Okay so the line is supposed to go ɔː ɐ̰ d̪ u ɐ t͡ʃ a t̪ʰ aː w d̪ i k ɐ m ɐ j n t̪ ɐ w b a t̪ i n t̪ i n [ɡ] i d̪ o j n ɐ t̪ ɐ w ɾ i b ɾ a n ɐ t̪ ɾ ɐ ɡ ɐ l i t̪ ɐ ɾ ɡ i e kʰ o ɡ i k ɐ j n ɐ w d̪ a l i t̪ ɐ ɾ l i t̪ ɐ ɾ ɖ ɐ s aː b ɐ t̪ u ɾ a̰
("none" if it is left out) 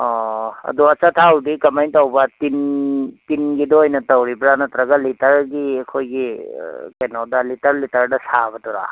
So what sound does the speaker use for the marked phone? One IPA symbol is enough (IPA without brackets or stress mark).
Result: ɡ